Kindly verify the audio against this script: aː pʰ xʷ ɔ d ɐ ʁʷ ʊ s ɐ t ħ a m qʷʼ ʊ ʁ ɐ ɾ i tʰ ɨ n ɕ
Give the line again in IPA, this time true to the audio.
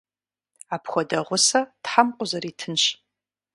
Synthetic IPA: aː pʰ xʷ ɔ d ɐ ʁʷ ʊ s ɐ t ħ a m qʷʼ ʊ z ɐ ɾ i tʰ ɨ n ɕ